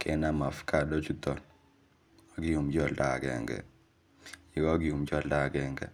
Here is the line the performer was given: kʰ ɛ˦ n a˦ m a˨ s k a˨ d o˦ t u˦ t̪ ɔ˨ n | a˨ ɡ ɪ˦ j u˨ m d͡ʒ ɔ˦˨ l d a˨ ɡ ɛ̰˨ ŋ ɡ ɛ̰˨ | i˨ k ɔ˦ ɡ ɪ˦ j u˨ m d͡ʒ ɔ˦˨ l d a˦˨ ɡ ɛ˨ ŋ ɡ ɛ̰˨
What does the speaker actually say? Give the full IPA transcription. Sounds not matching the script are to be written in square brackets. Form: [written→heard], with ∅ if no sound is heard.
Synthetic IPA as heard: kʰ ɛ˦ n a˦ m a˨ [s→f] k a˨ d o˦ [t→t͡ʃ] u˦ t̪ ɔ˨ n | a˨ ɡ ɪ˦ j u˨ m d͡ʒ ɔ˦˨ l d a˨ ɡ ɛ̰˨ ŋ ɡ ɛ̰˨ | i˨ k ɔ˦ ɡ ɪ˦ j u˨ m d͡ʒ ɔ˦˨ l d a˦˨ ɡ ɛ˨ ŋ ɡ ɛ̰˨